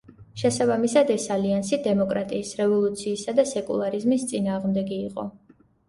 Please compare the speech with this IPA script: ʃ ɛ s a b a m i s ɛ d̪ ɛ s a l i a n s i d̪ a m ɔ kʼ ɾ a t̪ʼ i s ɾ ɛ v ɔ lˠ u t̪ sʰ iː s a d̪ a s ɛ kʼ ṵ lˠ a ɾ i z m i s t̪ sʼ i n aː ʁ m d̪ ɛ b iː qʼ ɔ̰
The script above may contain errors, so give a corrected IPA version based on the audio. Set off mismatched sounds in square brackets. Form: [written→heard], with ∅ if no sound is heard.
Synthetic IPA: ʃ ɛ s a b a m i s [ɛ→a] d̪ ɛ s a l i a n s i d̪ [a→ɛ] m ɔ kʼ ɾ a t̪ʼ [i→iː] s ɾ ɛ v ɔ lˠ u t̪ sʰ iː s a d̪ a s ɛ kʼ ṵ lˠ a ɾ i z m i s t̪ sʼ i n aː ʁ m d̪ ɛ [b→ɡ] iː qʼ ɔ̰